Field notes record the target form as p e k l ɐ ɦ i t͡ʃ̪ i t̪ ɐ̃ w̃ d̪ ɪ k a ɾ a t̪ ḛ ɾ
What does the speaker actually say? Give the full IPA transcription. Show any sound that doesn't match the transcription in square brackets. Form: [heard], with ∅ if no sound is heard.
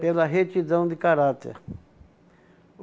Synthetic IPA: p e [∅] l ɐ ɦ [e] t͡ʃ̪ i [d̪] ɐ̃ w̃ d̪ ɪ k a ɾ a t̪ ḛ ɾ